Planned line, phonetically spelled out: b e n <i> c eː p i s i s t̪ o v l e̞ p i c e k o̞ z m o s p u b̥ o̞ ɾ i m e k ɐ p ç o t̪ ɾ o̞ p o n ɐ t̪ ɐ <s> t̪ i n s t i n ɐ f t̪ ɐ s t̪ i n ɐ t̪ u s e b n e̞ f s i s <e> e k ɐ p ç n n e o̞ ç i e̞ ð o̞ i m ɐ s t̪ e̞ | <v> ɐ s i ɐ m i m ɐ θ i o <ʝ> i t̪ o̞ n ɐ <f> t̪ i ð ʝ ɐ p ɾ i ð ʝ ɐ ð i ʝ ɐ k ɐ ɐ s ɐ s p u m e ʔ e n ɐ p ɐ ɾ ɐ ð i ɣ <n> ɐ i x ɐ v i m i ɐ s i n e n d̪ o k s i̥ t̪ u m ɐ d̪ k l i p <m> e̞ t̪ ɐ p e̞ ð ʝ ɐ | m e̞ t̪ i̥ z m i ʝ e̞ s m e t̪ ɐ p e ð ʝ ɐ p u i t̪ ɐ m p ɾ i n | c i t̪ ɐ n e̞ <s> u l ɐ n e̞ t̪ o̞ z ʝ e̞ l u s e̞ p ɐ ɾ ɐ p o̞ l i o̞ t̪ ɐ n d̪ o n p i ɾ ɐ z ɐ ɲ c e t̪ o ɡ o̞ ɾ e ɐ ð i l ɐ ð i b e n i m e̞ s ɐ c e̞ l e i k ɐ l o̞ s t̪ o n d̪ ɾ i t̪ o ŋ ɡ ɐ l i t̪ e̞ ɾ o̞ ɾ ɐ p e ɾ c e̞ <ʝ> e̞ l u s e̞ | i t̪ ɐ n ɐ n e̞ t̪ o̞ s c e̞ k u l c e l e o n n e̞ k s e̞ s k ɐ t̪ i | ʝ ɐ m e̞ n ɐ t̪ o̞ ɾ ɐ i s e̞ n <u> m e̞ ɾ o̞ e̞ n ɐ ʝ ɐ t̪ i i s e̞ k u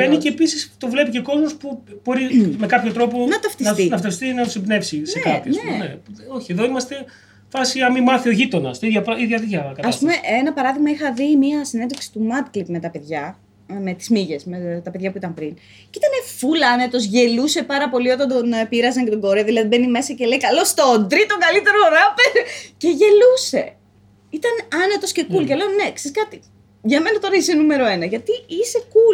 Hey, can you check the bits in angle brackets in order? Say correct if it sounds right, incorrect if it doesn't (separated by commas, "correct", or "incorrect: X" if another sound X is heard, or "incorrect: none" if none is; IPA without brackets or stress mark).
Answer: correct, incorrect: f, correct, incorrect: f, correct, incorrect: s, incorrect: m, correct, incorrect: f, correct, correct